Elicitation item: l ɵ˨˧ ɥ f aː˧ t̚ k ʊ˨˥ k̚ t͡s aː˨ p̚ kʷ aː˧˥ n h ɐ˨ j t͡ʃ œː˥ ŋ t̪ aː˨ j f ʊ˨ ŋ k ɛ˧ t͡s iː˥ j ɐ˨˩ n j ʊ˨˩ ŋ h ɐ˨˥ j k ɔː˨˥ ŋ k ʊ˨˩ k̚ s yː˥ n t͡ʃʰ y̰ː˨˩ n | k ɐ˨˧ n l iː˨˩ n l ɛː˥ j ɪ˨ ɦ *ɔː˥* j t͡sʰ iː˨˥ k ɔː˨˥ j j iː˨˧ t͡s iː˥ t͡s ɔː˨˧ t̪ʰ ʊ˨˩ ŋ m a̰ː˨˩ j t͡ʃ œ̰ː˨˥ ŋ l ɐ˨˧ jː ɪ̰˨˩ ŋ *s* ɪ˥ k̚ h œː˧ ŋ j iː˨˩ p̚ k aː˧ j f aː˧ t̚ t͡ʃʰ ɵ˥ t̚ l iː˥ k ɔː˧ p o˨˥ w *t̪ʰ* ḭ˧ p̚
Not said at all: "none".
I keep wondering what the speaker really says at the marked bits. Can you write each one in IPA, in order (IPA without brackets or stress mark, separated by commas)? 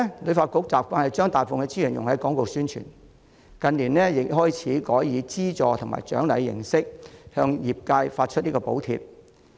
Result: ɔː˥, s, t̪ʰ